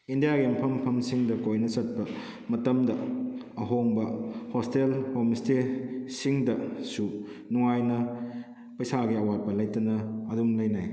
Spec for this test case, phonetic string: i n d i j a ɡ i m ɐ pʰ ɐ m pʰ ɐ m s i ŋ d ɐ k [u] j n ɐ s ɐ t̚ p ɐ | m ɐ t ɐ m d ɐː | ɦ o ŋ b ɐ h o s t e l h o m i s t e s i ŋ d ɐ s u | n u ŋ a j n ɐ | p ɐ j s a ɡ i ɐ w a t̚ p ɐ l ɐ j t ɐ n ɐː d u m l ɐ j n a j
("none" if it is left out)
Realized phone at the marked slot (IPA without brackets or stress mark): o